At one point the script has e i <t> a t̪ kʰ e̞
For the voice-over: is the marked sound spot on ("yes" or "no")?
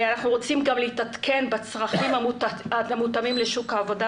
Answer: yes